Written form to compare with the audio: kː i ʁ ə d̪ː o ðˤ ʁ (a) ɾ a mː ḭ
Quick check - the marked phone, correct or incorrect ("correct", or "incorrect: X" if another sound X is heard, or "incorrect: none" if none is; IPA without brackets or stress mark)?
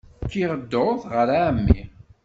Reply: incorrect: ə